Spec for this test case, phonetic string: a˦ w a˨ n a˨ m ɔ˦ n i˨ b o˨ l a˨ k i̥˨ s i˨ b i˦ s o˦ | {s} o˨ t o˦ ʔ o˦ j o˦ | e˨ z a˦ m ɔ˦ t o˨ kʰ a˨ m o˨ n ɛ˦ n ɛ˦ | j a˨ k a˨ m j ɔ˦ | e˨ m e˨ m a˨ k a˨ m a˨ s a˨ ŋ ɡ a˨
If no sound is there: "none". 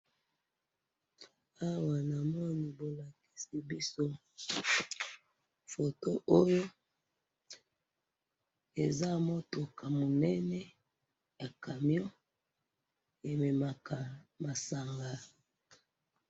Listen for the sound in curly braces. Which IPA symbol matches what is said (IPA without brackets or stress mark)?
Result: f